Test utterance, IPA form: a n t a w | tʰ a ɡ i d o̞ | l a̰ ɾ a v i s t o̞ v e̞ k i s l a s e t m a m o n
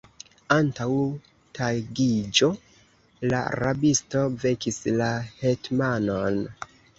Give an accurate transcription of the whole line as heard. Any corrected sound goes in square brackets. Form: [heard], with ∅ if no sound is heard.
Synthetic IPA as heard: a n t a w | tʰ a ɡ i [d͡ʒ] o̞ | l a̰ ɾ a [b] i s t o̞ v e̞ k i s l a [h] e t m a [n] o n